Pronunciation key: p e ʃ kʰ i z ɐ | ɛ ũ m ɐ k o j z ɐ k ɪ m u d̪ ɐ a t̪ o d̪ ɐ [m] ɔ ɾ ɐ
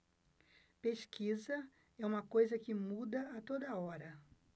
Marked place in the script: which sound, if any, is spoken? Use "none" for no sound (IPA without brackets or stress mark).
none